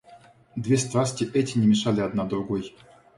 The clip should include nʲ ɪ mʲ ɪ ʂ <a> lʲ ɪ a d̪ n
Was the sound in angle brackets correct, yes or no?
yes